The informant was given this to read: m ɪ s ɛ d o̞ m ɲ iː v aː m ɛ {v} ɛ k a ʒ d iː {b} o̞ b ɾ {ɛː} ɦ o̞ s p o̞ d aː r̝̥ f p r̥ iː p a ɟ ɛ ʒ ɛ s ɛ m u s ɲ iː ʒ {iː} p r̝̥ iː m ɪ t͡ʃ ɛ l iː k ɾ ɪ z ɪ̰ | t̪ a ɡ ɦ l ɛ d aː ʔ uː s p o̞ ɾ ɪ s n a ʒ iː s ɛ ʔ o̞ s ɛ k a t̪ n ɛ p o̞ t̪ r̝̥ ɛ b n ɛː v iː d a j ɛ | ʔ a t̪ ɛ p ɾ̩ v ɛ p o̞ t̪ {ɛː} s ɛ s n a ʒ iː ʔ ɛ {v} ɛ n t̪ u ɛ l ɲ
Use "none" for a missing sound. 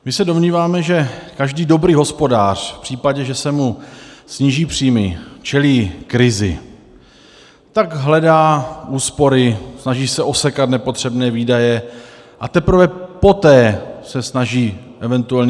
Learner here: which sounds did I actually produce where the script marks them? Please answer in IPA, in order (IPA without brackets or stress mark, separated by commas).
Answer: ʒ, d, iː, iː, ɛː, v